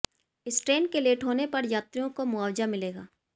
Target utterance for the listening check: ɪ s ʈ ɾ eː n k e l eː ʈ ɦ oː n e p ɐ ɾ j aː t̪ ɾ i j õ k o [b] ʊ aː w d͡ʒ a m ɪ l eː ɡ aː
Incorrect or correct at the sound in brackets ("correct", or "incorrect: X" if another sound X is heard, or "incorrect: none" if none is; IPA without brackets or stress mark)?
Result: incorrect: m